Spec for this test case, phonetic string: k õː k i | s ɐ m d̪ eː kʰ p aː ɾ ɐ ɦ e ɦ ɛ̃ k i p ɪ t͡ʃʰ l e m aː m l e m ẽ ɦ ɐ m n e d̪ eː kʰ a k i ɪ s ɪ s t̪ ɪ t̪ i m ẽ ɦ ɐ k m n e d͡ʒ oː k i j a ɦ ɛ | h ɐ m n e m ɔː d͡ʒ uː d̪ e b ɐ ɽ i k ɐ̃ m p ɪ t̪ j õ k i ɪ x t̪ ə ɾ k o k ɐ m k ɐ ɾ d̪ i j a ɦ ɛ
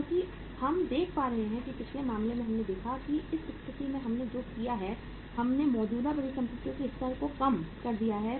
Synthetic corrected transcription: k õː k i | h ɐ m d̪ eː kʰ p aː ɾ ɐ ɦ e ɦ ɛ̃ k i p ɪ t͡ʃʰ l e m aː m l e m ẽ ɦ ɐ m n e d̪ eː kʰ a k i ɪ s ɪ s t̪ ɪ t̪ i m ẽ ɦ ɐ m n e d͡ʒ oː k i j a ɦ ɛ | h ɐ m n e m ɔː d͡ʒ uː d̪ a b ɐ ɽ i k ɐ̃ m p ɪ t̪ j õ k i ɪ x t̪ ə ɾ k o k ɐ m k ɐ ɾ d̪ i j a ɦ ɛ